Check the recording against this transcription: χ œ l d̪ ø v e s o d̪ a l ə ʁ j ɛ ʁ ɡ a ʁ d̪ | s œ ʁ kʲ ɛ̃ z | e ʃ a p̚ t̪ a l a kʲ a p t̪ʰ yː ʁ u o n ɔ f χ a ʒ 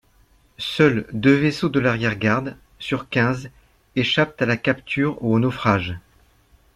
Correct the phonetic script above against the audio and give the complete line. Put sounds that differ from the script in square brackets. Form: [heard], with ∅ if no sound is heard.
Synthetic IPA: [s] œ l d̪ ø v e s o d̪ [ə] l [a] ʁ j ɛ ʁ ɡ a ʁ d̪ | s [y] ʁ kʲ ɛ̃ z | e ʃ a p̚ t̪ a l a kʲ a p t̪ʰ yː ʁ u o n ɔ f χ a ʒ